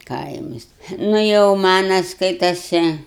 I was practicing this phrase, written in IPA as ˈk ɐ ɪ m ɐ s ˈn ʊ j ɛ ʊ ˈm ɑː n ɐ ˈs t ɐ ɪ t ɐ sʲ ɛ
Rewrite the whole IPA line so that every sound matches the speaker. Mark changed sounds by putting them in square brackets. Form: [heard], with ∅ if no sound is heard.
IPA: ˈk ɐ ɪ m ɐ s ˈn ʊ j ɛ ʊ ˈm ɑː n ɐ ˈs [k] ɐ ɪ t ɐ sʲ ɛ